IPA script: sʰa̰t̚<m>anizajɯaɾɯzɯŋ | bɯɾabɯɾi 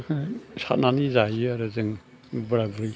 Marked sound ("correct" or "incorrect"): incorrect